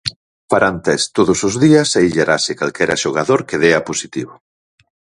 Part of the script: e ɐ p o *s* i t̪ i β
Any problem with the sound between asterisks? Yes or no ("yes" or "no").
no